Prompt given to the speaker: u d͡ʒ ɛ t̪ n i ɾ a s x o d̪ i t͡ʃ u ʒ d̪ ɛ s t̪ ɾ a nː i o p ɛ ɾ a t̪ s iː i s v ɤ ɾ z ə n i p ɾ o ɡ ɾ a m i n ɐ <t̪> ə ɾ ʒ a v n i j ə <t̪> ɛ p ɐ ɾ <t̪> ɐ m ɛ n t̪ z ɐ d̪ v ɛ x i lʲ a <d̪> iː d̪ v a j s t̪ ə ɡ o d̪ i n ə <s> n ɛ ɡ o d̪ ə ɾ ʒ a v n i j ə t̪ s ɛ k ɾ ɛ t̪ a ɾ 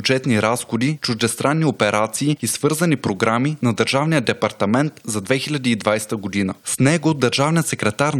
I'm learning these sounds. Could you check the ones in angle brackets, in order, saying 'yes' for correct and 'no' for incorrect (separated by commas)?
no, no, yes, yes, yes